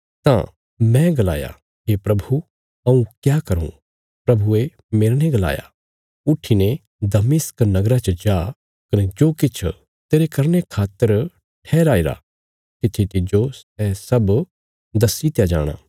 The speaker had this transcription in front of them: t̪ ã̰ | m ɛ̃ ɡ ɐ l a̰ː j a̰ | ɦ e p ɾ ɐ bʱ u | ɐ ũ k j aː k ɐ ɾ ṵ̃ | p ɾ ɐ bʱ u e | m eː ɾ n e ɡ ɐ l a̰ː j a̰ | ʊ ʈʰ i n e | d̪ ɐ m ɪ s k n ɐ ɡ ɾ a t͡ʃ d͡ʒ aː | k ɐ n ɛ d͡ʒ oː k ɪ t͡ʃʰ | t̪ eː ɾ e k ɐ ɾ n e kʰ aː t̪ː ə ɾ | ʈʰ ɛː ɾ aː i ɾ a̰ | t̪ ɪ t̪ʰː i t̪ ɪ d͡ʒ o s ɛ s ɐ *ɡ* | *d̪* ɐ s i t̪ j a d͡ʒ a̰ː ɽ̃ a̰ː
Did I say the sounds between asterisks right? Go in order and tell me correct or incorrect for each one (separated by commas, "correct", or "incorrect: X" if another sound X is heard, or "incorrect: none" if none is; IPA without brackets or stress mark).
incorrect: b, correct